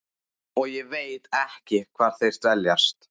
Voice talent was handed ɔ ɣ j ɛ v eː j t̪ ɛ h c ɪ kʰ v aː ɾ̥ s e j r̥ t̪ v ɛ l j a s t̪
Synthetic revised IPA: ɔ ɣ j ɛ v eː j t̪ ɛ h c ɪ kʰ v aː ɾ̥ θ e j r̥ t̪ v ɛ l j a s t̪